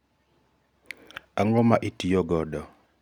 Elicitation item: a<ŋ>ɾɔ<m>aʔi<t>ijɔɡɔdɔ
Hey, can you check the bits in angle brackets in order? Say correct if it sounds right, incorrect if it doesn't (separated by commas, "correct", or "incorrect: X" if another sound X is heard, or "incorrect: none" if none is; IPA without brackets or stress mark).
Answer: correct, correct, correct